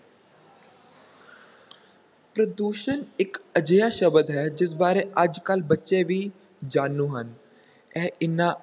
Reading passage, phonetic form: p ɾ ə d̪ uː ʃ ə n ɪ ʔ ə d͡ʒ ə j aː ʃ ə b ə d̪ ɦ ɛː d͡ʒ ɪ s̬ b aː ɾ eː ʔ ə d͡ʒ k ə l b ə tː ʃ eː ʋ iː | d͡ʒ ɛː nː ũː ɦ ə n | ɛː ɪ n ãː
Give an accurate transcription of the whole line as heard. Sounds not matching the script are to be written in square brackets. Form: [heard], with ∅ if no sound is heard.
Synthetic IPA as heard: p ɾ ə d̪ uː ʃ ə n ɪ [k] ə d͡ʒ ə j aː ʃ ə b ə d̪ ɦ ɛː d͡ʒ ɪ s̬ b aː ɾ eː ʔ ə d͡ʒ k ə l b ə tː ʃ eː ʋ iː | d͡ʒ [aː] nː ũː ɦ ə n | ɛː ɪ n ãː